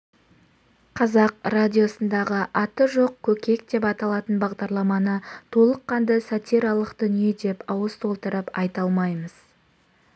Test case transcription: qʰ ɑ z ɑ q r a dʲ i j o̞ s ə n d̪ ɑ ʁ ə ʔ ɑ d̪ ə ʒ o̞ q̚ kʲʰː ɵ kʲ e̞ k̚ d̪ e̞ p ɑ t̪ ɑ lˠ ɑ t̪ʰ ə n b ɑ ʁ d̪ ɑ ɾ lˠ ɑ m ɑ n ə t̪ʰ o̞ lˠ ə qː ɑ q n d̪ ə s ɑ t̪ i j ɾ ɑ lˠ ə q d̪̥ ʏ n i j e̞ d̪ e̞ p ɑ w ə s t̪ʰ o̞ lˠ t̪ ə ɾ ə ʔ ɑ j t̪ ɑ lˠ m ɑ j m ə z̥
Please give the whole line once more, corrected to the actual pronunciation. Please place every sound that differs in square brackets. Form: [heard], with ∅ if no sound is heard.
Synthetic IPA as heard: qʰ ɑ z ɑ q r a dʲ i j o̞ s ə n d̪ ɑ ʁ ə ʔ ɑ [t̪] ə ʒ o̞ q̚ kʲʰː ɵ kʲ e̞ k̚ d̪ e̞ p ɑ t̪ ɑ lˠ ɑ [t̪] ə n b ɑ ʁ d̪ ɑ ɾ lˠ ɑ m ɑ n ə t̪ʰ o̞ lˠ ə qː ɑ [∅] n d̪ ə s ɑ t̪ i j ɾ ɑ lˠ ə q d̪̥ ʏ n i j e̞ d̪ e̞ p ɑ w ə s t̪ʰ o̞ lˠ t̪ ə ɾ ə [p] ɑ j t̪ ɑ lˠ m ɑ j m ə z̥